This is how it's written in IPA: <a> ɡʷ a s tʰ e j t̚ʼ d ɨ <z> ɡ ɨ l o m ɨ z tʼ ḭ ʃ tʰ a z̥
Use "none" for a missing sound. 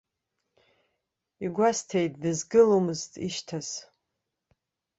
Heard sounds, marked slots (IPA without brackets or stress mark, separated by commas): i, z